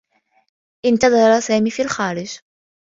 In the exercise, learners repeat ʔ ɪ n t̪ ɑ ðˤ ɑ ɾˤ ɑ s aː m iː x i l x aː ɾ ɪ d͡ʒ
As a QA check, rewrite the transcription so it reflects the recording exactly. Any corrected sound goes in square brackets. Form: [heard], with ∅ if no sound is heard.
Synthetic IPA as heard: ʔ ɪ n t̪ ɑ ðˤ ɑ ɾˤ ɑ s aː m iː [f] i l x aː ɾ ɪ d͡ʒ